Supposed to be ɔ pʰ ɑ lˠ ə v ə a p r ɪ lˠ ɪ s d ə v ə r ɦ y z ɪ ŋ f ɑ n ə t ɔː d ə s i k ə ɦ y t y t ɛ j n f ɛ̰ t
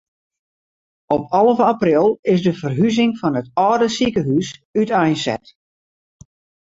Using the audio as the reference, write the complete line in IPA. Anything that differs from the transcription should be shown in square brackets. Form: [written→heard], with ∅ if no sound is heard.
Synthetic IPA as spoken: ɔ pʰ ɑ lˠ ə v ə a p r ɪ lˠ ɪ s d ə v ə r ɦ y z ɪ ŋ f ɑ n ə t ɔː d ə s i k ə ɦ y [t→s] y t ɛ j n [f→s] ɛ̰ t